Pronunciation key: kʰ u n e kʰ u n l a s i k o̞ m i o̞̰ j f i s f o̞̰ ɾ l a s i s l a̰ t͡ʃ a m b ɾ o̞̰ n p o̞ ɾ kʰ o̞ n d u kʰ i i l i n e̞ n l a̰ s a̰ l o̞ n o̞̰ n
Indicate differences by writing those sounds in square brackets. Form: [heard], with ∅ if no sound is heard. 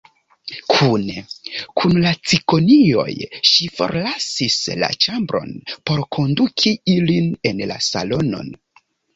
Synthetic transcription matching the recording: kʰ u n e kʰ u n l a [t͡s] i k o̞ [n] i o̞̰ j [ʃ] i [∅] f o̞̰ ɾ l a s i s l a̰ t͡ʃ a m b ɾ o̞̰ n p o̞ ɾ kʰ o̞ n d u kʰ i i l i n e̞ n l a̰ s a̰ l o̞ n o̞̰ n